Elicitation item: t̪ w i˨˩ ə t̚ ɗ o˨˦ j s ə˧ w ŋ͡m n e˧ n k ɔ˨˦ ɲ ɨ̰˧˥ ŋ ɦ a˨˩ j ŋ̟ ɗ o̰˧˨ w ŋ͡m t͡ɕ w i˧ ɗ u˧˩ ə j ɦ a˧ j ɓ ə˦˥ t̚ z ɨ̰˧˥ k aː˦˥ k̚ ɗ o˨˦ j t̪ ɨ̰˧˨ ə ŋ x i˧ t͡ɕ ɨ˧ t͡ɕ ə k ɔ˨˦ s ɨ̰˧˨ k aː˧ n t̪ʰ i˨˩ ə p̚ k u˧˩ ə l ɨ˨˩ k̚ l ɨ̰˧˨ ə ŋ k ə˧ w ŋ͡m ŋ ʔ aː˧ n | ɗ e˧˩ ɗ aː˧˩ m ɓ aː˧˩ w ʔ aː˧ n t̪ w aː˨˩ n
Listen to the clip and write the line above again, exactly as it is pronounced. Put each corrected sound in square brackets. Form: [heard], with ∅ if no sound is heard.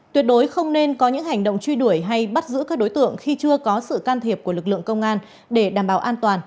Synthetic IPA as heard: t̪ w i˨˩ ə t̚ ɗ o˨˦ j [x] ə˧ w ŋ͡m n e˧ n k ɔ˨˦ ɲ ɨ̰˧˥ ŋ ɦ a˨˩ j ŋ̟ ɗ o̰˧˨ w ŋ͡m t͡ɕ w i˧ ɗ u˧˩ ə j ɦ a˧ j ɓ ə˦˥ t̚ z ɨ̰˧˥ k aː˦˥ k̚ ɗ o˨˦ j t̪ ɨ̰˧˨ ə ŋ x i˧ t͡ɕ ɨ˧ [∅] ə k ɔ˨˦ s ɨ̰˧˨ k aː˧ n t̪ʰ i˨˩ ə p̚ k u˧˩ ə l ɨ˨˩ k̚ l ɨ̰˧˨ ə ŋ k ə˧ w ŋ͡m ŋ ʔ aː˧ n | ɗ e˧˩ ɗ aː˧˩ m ɓ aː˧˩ w ʔ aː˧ n t̪ w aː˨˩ n